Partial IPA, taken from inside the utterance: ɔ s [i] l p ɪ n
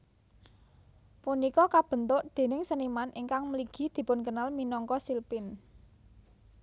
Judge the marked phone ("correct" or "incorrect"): correct